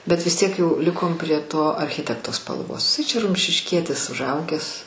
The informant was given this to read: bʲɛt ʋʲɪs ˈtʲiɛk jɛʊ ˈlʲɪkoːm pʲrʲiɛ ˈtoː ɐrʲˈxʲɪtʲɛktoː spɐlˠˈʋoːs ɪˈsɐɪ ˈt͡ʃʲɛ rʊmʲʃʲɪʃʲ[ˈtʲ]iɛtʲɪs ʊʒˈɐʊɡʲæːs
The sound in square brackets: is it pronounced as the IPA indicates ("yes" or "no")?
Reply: no